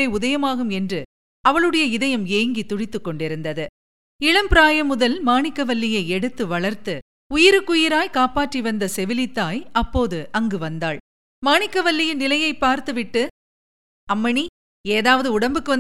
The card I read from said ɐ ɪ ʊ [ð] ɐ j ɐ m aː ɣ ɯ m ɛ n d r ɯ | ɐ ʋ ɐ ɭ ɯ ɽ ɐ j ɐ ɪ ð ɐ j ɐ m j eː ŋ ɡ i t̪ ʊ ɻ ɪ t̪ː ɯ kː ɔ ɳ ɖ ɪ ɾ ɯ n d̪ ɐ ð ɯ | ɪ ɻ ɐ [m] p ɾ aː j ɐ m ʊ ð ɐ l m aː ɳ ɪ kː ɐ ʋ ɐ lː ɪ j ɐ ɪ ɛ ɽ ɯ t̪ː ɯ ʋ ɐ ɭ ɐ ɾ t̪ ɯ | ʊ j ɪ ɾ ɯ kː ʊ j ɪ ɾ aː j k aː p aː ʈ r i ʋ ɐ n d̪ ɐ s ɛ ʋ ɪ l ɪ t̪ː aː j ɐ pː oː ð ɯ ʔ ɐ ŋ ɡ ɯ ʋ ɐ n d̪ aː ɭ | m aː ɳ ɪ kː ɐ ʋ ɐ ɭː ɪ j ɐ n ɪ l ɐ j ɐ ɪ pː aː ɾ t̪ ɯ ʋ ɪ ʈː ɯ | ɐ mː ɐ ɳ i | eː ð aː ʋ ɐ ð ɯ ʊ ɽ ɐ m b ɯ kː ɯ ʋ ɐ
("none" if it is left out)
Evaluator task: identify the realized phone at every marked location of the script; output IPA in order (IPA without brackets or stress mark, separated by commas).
ð, m